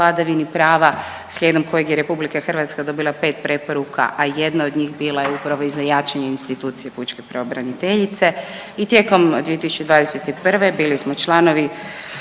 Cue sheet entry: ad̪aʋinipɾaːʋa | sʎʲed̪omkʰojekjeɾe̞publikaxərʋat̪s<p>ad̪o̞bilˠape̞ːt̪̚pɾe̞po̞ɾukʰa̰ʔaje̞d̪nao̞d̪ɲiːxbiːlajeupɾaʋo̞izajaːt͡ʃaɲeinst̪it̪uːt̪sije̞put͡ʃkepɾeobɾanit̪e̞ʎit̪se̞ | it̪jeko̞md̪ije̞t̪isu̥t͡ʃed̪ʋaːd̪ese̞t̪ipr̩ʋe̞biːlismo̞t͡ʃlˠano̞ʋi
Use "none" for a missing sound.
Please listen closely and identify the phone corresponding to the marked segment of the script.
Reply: k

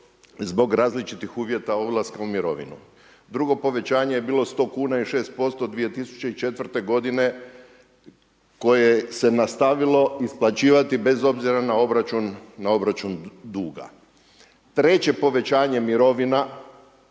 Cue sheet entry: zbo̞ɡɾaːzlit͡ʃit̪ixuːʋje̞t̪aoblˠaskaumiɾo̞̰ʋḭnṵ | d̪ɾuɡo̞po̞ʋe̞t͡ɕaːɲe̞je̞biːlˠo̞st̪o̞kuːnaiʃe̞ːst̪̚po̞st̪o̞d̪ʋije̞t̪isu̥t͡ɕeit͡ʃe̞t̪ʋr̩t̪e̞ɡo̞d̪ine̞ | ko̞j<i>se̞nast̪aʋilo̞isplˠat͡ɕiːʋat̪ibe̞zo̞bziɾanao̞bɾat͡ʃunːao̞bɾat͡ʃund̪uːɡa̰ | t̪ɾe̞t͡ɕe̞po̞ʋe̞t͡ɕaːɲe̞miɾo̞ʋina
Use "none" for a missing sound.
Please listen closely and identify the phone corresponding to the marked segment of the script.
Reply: e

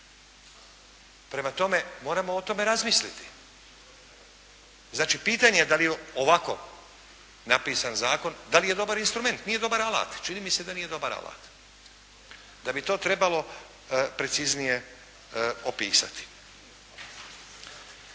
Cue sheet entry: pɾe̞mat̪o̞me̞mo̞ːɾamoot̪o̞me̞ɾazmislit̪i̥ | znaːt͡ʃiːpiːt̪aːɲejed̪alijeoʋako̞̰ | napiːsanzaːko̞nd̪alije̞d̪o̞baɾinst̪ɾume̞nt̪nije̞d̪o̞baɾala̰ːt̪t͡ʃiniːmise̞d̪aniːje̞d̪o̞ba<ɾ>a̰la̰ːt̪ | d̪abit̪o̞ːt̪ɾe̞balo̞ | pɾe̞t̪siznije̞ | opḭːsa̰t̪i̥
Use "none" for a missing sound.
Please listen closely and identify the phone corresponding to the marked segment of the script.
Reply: ɾ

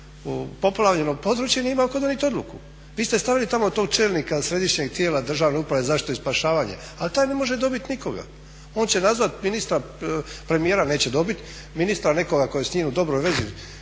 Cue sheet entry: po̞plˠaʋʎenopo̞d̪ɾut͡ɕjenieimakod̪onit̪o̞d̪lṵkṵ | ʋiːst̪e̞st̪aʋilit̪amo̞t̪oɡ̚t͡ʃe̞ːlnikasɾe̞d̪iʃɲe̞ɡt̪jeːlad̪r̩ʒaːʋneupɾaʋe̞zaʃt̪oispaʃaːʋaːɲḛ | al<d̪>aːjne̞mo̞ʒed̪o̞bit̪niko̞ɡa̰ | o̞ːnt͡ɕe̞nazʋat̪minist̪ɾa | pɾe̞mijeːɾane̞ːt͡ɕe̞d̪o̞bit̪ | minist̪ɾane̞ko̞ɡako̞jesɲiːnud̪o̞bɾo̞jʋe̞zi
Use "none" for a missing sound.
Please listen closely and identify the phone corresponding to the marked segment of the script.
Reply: t̪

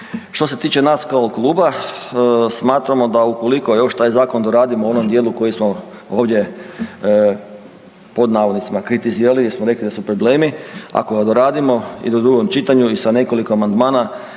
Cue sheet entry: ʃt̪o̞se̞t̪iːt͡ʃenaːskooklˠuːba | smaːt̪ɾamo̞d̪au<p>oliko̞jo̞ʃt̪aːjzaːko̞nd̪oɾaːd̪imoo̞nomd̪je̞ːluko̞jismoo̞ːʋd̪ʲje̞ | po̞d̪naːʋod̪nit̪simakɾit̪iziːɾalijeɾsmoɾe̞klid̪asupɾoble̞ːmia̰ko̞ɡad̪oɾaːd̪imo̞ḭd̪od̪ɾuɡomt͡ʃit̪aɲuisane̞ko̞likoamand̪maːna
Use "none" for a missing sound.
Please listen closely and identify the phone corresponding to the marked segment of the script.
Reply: k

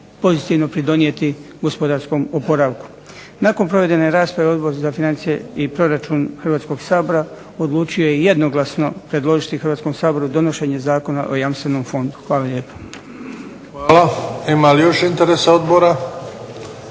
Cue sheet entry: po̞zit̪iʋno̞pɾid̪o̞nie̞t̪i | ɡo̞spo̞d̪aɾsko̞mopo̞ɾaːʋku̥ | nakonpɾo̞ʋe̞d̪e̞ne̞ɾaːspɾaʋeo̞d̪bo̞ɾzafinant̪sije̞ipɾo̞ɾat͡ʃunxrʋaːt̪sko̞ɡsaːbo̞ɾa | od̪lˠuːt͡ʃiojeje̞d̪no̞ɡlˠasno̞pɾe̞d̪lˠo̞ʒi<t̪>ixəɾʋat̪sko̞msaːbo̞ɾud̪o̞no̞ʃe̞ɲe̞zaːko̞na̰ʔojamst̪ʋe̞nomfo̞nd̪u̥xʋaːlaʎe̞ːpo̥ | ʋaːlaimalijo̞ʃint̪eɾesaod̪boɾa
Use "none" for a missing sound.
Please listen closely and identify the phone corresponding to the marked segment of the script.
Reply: t̪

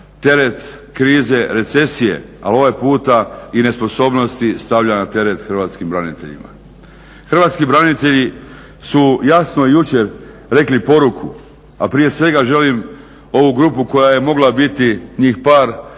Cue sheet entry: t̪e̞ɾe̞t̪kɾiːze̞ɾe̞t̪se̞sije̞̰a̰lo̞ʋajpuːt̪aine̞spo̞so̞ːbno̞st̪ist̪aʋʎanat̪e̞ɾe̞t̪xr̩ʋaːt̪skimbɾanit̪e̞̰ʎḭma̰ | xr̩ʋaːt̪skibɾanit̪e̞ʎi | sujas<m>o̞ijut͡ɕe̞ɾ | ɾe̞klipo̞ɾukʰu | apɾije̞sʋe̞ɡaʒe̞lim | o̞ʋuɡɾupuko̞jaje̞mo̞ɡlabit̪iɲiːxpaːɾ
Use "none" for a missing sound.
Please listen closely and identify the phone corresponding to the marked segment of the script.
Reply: n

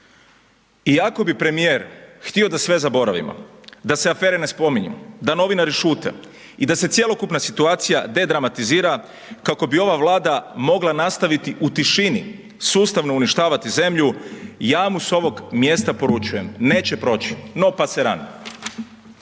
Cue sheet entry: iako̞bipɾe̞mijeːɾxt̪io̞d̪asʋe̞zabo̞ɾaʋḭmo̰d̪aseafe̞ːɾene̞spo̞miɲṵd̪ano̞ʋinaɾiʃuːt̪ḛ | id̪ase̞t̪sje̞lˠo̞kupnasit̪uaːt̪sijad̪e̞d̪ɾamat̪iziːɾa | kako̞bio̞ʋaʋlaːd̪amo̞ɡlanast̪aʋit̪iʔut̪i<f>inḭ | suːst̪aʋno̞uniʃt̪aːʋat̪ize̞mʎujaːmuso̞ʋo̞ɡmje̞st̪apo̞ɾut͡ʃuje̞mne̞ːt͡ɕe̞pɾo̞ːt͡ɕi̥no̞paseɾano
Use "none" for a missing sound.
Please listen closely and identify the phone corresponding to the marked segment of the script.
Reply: ʃ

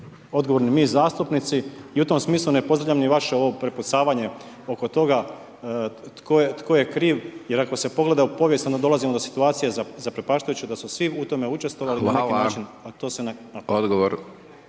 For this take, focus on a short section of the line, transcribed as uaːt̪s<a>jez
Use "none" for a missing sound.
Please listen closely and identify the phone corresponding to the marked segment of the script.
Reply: i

